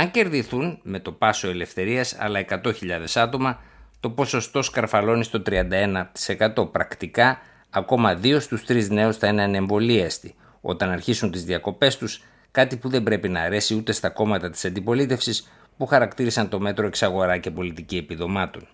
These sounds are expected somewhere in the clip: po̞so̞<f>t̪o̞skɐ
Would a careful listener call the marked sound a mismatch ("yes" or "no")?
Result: yes